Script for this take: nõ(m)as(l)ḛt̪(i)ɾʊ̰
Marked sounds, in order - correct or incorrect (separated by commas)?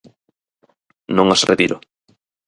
incorrect, incorrect, correct